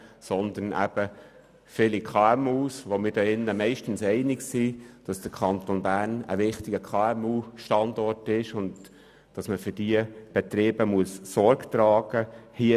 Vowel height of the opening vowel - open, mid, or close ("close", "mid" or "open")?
mid